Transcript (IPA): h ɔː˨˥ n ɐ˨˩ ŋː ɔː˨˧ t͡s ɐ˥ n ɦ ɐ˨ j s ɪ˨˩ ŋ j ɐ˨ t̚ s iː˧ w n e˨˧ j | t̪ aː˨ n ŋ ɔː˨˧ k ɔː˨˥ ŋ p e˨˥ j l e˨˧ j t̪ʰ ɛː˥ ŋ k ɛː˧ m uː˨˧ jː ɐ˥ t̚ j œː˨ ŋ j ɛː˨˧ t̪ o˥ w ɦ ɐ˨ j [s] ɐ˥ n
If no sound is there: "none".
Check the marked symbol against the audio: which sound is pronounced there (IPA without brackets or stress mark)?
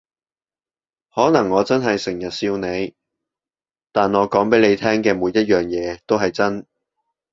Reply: t͡s